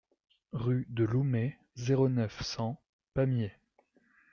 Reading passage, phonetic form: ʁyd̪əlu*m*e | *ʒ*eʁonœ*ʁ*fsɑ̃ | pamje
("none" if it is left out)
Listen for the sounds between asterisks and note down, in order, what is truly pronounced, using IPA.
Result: m, z, none

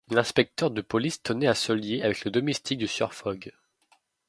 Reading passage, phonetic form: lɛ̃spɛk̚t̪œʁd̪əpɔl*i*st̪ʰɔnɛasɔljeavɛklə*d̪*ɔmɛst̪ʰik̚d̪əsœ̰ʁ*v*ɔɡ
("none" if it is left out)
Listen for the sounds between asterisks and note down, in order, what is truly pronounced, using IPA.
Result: i, d̪, f

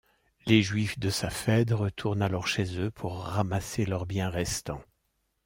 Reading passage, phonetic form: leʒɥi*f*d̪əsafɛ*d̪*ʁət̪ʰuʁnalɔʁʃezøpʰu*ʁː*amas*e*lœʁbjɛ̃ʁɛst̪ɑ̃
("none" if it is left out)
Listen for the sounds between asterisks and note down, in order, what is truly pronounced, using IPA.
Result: f, d̪, ʁː, e

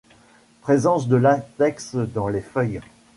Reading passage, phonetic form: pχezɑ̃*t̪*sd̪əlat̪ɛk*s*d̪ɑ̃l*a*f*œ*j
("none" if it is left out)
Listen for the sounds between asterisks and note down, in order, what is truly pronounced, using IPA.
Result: none, s, e, œ

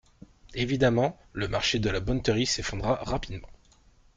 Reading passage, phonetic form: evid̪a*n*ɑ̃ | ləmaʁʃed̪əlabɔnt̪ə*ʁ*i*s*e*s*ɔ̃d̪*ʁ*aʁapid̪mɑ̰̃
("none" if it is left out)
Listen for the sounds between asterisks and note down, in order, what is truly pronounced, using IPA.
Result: m, ʁ, s, f, ʁ

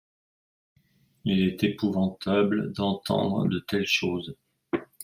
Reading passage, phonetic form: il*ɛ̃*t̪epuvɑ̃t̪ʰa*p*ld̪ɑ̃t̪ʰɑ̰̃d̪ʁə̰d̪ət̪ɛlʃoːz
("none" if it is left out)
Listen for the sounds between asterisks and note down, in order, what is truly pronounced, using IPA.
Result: ɛ, b

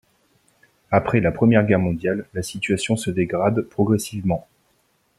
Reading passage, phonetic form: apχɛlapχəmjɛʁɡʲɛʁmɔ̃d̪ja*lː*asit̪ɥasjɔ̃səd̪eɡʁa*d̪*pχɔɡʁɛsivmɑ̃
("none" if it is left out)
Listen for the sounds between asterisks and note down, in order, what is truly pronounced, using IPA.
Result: lː, d̪

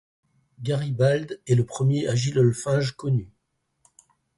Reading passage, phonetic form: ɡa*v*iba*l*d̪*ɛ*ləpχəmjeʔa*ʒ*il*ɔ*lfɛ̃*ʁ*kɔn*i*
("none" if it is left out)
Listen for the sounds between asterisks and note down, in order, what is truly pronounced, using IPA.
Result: ʁ, l, ɛ, ʒ, ɔ, ʒ, y

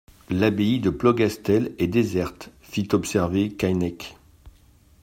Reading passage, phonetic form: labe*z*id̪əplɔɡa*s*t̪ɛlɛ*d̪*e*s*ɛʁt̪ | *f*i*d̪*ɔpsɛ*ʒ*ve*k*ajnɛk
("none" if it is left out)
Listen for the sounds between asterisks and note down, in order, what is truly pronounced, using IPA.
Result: none, s, d̪, z, f, t̪, ʁ, k

